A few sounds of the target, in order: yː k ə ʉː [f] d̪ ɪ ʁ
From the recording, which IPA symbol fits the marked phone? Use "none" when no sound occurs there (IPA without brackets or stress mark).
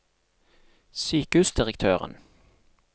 s